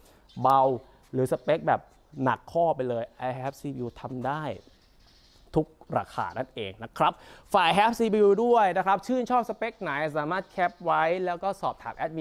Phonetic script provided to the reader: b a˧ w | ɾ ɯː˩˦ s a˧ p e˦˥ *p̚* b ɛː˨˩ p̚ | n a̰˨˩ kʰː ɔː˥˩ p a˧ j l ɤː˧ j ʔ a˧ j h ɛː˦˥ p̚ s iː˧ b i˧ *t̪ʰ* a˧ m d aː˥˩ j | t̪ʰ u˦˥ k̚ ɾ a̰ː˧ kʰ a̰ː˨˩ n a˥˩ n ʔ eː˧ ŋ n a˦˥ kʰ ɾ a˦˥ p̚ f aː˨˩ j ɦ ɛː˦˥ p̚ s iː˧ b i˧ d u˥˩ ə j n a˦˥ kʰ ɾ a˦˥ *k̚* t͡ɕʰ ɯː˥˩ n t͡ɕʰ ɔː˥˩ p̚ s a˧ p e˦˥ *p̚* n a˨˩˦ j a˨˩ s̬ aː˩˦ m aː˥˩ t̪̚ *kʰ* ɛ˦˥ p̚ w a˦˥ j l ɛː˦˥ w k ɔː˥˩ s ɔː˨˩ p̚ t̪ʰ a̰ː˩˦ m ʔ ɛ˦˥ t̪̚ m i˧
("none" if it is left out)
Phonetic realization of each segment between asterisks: k̚, t̪ʰ, p̚, k̚, kʰ

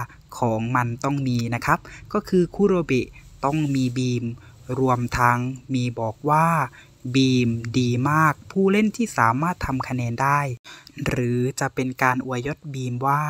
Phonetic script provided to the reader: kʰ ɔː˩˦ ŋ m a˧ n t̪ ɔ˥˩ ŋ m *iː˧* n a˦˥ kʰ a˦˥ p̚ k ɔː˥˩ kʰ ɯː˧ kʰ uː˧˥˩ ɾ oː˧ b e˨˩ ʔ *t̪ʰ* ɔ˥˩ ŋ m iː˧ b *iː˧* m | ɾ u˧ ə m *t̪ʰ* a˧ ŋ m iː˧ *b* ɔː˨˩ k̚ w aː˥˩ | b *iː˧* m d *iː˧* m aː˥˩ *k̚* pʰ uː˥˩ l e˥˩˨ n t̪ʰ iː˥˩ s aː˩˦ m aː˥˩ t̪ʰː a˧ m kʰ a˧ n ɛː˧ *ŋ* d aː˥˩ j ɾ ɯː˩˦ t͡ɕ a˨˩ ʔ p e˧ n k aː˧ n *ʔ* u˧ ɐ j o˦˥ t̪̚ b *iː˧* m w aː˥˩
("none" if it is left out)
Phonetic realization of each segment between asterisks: iː˧, t̪, iː˧, t̪ʰ, b, iː˧, iː˧, k̚, n, ʔ, iː˧

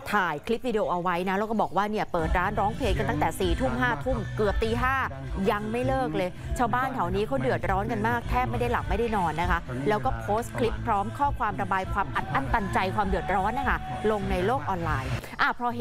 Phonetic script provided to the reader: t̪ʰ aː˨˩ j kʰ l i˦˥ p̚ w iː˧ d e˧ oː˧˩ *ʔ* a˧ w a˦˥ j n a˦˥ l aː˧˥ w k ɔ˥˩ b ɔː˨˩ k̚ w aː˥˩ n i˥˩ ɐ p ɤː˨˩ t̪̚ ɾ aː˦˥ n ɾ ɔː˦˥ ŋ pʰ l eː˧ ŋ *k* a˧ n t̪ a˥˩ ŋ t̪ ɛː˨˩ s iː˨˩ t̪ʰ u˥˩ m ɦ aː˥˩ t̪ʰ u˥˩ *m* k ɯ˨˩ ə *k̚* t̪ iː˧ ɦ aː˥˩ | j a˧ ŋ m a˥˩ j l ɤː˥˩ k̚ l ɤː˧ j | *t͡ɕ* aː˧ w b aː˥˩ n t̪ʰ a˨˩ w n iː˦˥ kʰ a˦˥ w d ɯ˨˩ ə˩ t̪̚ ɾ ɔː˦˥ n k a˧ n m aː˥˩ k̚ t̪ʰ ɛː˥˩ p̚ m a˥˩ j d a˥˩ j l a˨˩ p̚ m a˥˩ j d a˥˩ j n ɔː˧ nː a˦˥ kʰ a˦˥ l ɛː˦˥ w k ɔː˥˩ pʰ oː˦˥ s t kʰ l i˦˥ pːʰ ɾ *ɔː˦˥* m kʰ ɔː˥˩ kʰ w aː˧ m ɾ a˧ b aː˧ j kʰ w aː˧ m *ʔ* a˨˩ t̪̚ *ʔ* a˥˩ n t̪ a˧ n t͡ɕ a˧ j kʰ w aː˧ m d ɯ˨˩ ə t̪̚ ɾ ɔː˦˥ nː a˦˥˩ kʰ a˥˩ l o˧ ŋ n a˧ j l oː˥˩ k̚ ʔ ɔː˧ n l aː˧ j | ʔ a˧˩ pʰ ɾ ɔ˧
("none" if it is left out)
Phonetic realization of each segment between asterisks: ʔ, k, m, p̚, t͡ɕʰ, ɔː˦˥, ʔ, ʔ

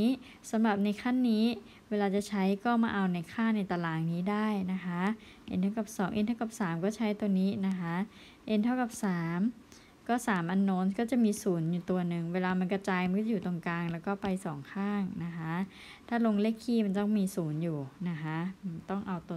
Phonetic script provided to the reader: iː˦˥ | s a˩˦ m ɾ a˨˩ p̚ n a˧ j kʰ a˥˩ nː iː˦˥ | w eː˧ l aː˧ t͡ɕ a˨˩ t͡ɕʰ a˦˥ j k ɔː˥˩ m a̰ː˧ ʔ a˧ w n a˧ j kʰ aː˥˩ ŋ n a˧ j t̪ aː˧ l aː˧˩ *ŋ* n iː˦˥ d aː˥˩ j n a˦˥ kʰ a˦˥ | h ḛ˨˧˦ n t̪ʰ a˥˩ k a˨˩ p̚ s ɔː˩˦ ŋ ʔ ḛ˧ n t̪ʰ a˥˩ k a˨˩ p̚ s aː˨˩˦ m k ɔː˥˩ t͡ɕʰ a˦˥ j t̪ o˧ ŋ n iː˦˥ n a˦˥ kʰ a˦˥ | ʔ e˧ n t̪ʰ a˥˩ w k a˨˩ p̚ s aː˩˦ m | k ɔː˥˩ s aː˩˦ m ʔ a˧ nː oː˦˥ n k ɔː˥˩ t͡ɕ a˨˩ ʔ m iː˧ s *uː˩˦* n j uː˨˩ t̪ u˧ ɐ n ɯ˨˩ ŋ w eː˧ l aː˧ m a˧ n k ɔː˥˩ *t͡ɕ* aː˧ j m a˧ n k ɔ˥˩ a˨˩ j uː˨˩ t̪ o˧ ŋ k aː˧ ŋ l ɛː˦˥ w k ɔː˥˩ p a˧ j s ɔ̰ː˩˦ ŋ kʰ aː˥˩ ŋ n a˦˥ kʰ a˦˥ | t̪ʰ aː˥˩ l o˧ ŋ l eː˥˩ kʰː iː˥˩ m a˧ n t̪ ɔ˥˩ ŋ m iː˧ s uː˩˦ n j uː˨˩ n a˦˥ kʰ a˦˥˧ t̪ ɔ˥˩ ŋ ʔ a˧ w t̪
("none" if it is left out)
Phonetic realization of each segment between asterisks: ŋ, uː˩˦, t͡ɕ

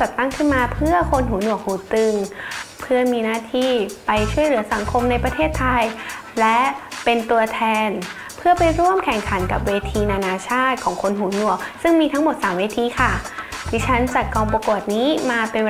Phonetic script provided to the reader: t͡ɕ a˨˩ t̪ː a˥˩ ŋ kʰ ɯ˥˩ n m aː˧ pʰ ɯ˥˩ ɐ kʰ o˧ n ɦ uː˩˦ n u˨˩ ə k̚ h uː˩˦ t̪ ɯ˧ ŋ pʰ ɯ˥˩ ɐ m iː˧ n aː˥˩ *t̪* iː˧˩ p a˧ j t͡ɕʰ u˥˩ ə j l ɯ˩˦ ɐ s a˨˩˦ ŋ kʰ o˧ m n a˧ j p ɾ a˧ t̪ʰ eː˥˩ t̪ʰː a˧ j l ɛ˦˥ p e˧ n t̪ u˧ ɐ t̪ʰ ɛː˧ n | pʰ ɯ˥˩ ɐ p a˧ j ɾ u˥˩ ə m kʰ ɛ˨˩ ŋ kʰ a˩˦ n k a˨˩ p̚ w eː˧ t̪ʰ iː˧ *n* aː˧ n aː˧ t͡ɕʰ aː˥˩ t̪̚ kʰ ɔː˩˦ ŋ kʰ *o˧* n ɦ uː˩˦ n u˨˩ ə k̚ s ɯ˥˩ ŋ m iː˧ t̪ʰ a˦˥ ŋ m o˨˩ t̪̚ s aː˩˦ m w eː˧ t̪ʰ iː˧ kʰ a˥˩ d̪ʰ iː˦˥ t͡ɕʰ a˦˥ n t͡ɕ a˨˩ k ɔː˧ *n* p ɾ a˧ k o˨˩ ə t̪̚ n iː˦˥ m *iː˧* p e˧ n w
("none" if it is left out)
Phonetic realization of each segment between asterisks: t̪ʰ, n, o˧, ŋ, aː˧

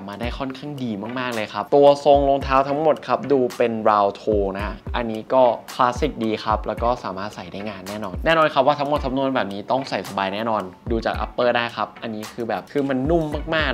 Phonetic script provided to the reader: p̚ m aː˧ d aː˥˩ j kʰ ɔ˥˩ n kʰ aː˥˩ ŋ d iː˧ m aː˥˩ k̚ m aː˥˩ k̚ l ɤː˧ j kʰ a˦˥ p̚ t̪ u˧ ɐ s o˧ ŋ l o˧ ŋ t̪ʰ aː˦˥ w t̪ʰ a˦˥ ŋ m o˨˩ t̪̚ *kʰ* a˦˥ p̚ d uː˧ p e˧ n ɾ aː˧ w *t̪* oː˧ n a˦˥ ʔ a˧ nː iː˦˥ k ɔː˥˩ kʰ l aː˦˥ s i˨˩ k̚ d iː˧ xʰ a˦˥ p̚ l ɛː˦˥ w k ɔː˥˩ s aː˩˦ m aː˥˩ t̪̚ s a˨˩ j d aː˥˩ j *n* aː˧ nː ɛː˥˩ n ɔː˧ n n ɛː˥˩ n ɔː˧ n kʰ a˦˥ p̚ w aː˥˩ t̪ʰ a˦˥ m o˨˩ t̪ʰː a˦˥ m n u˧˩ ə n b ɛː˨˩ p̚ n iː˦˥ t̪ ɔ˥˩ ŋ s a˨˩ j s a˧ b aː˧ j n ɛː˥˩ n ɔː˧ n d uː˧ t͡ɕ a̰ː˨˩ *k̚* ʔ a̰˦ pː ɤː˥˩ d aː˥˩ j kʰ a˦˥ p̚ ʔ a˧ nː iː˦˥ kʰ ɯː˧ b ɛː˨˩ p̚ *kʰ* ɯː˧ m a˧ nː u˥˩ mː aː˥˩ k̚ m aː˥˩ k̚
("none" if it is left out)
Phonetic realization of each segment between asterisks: kʰ, t̪ʰ, ŋ, k̚, kʰ

